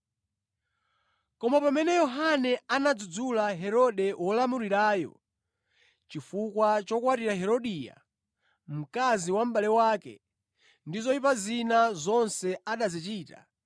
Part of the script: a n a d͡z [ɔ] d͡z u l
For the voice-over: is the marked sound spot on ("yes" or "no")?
no